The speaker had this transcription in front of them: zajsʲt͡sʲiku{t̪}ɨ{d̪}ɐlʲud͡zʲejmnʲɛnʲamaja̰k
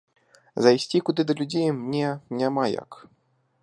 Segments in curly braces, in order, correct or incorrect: incorrect, correct

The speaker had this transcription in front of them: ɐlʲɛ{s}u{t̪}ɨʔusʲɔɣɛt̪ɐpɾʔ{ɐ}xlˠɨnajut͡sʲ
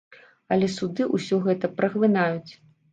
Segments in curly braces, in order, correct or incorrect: correct, incorrect, correct

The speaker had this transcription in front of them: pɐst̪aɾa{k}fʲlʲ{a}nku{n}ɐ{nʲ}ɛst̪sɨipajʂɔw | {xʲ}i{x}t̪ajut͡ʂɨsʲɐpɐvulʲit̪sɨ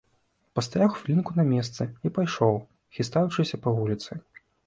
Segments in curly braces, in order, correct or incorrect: incorrect, incorrect, correct, incorrect, correct, incorrect

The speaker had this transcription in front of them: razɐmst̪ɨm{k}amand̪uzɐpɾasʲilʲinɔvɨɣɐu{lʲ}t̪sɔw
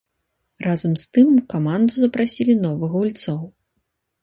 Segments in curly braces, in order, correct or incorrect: correct, correct

